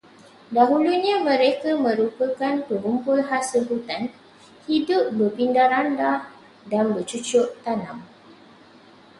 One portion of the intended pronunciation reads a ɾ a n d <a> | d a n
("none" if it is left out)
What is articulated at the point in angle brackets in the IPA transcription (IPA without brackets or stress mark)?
a